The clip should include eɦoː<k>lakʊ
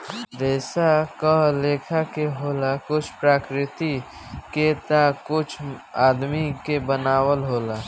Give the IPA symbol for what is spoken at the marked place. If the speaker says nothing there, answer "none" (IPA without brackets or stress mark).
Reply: none